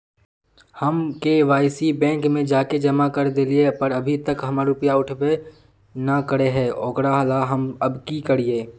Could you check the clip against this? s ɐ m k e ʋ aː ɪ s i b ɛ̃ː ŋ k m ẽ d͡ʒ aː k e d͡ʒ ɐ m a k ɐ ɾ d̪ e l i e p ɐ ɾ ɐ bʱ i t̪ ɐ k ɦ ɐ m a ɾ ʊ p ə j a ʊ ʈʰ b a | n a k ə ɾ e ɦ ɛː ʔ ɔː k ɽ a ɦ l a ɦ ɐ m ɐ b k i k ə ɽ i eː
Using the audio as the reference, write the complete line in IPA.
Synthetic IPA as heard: h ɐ m k e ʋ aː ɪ s i b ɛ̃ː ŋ k m ẽ d͡ʒ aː k e d͡ʒ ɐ m a k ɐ ɾ d̪ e l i e p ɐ ɾ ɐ bʱ i t̪ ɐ k ɦ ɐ m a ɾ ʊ p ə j a ʊ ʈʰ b e | n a k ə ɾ e ɦ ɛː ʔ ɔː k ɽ a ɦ l a ɦ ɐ m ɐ b k i k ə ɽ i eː